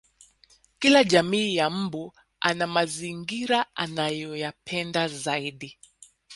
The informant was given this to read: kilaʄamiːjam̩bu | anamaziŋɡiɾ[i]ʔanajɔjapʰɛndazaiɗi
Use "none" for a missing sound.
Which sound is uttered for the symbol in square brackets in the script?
a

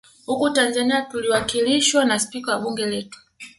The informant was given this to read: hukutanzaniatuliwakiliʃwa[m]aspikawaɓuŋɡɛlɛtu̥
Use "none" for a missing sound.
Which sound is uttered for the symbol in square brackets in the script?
n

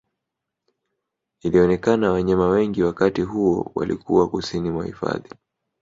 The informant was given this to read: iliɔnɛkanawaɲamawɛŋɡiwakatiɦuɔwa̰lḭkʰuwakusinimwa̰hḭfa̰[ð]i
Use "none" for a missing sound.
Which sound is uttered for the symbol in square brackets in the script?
ð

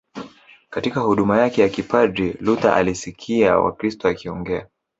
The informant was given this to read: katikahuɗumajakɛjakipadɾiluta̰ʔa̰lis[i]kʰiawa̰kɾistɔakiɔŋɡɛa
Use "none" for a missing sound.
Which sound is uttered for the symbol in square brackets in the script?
i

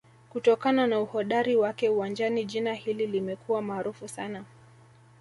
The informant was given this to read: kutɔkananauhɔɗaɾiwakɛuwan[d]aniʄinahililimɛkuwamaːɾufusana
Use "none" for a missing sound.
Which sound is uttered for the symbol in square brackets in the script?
d͡ʒ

